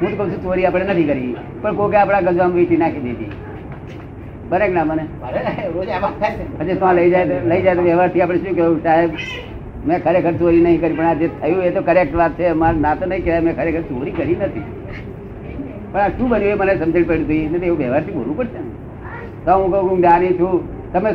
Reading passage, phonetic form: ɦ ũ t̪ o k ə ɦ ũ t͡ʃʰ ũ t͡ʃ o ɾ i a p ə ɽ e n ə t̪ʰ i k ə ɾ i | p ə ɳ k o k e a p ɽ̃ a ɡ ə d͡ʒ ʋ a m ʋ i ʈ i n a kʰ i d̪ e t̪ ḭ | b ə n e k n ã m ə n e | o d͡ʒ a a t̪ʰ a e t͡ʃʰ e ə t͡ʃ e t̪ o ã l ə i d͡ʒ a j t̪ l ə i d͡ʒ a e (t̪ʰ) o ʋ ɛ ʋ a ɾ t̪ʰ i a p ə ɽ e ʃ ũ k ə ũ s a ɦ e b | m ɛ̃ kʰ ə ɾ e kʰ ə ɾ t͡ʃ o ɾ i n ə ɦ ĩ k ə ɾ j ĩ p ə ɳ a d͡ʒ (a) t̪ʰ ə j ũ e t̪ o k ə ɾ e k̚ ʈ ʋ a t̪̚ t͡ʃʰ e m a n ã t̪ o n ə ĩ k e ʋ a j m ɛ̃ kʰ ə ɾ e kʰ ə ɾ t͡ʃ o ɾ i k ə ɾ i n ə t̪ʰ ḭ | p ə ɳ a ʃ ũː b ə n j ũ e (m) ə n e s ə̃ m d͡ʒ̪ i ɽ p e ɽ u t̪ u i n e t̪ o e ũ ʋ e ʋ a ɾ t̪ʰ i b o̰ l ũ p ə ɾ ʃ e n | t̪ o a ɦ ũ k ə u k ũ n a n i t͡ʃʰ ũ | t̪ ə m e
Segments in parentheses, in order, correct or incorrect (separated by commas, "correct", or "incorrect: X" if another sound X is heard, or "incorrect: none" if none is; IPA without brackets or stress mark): incorrect: t̪, incorrect: e, correct